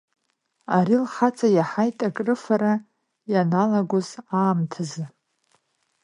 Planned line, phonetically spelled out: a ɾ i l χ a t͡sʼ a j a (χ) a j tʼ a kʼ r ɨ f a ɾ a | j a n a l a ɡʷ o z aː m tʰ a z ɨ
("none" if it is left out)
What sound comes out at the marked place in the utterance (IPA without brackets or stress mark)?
ħ